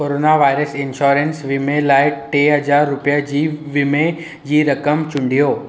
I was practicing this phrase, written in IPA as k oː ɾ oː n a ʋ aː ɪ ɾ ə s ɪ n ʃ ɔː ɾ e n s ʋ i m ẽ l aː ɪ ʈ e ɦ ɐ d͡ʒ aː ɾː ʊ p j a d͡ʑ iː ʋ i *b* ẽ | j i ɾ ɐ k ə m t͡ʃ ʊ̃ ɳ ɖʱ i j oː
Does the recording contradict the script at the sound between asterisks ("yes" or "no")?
yes